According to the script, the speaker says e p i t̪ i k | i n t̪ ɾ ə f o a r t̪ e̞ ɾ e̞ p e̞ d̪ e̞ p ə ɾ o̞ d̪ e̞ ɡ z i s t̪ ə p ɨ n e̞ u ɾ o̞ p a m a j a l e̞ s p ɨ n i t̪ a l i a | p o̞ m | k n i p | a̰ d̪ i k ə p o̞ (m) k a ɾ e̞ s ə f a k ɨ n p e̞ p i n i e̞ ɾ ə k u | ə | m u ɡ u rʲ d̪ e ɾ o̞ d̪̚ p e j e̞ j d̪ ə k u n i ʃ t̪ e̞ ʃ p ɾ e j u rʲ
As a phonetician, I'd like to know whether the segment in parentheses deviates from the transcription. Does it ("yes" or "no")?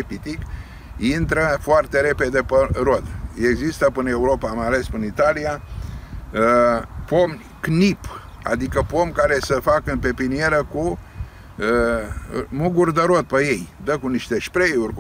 no